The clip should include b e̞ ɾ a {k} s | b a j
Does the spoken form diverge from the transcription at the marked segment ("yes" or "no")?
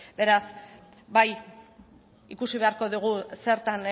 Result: yes